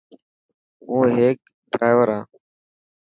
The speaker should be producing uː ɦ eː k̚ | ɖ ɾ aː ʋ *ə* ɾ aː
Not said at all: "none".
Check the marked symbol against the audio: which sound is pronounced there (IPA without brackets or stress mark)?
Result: ə